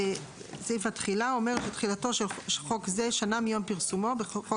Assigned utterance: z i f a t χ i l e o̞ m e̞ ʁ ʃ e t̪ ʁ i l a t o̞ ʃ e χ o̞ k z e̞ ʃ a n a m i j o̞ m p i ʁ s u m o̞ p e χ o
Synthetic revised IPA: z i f a t χ i l a o̞ m e̞ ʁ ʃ e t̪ χ i l a t o̞ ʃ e χ o̞ k z e̞ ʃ a n a m i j o̞ m p i ʁ s u m o̞ b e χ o